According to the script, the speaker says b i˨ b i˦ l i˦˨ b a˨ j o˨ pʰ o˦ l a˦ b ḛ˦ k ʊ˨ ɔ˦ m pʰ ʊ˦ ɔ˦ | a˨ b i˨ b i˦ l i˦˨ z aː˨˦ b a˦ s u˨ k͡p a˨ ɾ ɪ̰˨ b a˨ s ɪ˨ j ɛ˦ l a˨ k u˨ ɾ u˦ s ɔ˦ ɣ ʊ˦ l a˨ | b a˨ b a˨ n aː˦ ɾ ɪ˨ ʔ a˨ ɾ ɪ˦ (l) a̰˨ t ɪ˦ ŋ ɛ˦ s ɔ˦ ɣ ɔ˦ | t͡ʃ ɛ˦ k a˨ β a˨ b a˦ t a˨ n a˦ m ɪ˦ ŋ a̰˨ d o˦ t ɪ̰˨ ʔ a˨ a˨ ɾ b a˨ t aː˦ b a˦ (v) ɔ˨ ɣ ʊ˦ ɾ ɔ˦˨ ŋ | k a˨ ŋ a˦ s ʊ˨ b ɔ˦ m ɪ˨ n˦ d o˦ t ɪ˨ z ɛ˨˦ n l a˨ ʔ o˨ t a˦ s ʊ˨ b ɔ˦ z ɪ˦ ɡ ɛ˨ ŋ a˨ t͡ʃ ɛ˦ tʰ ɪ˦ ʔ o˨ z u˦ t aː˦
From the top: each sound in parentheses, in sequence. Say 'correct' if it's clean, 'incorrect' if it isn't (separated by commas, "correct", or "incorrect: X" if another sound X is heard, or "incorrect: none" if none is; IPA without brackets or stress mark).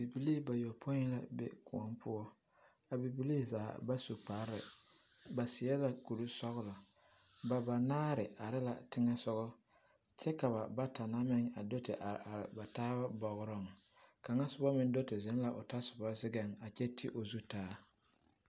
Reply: correct, incorrect: b